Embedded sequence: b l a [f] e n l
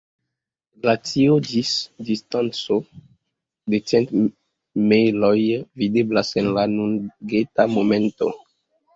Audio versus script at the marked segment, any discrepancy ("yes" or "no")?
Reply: yes